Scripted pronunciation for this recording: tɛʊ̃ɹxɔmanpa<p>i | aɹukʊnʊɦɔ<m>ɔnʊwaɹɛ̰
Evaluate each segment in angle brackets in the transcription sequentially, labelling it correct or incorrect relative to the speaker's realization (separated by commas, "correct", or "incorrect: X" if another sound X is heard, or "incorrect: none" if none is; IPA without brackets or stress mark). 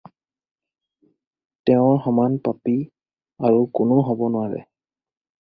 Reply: correct, incorrect: b